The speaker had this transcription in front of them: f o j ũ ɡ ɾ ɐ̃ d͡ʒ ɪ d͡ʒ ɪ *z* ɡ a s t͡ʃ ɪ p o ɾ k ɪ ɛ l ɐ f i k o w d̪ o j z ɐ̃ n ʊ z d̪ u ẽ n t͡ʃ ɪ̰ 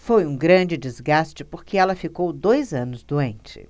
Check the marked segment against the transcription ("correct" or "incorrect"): correct